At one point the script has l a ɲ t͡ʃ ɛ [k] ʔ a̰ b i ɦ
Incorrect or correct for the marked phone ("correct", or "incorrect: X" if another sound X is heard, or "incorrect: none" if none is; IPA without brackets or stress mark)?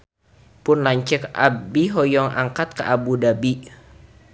correct